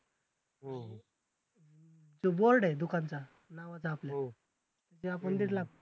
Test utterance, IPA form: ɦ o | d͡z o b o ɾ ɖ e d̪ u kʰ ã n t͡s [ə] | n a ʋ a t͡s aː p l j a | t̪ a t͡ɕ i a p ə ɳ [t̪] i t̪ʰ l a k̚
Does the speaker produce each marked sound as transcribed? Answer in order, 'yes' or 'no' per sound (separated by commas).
no, no